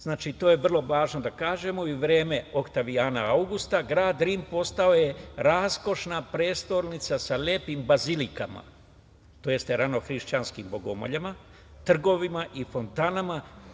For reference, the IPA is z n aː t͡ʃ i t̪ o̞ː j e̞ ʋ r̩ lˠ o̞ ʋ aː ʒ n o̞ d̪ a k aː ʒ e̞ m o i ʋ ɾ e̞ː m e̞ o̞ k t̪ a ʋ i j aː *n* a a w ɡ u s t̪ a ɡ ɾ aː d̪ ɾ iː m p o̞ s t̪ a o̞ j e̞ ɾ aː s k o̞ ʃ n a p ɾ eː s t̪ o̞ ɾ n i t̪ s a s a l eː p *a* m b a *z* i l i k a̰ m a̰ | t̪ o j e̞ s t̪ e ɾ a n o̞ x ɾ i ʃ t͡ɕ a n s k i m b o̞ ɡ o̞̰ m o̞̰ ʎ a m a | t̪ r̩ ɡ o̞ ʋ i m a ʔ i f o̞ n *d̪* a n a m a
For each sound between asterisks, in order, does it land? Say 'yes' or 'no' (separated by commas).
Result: yes, no, yes, no